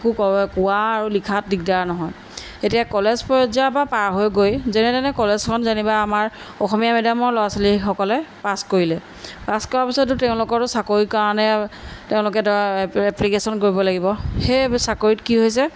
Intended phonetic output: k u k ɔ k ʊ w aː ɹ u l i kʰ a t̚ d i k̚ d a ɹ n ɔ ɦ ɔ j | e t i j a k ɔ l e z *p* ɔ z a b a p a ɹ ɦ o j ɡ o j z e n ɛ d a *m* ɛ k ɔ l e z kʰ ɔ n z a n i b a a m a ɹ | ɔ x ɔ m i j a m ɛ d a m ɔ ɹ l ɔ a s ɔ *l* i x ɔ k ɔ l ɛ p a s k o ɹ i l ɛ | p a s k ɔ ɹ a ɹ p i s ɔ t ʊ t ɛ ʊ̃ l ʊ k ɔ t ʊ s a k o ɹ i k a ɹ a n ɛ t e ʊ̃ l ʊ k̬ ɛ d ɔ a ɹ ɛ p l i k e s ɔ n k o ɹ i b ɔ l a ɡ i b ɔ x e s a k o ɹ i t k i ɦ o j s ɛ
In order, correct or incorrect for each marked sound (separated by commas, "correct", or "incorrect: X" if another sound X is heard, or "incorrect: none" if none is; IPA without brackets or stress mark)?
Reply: correct, incorrect: n, correct